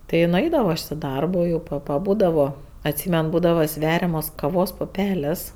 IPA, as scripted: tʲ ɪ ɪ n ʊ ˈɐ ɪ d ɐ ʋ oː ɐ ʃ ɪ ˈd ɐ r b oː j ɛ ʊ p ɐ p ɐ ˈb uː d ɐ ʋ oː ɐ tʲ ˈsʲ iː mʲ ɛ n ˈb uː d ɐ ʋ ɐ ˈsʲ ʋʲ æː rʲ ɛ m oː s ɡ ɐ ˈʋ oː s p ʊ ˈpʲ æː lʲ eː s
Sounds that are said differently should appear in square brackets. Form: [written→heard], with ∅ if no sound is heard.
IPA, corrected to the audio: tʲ ɪ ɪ n ʊ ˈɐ ɪ d ɐ ʋ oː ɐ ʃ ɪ ˈd ɐ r b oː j ɛ ʊ p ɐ p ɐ ˈb uː d ɐ ʋ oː ɐ tʲ ˈsʲ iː mʲ ɛ n ˈb uː d ɐ ʋ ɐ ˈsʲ ʋʲ æː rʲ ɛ m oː s [ɡ→k] ɐ ˈʋ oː s p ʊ ˈpʲ æː lʲ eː s